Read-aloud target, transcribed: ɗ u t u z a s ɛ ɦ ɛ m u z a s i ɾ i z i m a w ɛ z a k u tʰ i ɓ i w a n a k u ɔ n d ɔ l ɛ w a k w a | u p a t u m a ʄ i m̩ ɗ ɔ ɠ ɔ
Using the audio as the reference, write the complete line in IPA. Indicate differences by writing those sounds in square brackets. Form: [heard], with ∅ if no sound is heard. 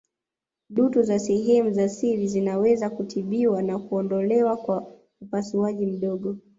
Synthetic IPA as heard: ɗ u t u z a s ɛ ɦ ɛ m u z a s i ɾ i z i [n] a w ɛ z a k u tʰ i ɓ i w a n a k u ɔ n d ɔ l ɛ w a k w a | u p a [s] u [∅] a ʄ i m̩ ɗ ɔ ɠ ɔ